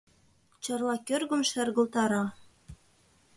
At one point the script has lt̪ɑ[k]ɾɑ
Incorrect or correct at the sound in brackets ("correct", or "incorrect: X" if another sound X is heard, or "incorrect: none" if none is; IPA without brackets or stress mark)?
incorrect: none